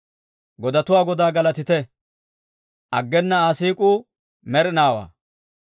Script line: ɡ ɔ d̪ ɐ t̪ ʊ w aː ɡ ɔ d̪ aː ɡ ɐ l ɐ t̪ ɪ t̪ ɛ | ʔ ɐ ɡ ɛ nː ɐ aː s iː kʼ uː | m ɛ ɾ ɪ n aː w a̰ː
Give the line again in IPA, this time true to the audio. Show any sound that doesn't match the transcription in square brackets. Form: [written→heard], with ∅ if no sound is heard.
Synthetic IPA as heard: ɡ ɔ d̪ ɐ t̪ ʊ w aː ɡ ɔ d̪ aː ɡ ɐ l ɐ t̪ ɪ t̪ ɛ | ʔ ɐ [ɡ→ɡː] ɛ nː ɐ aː s iː kʼ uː | m ɛ ɾ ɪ n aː w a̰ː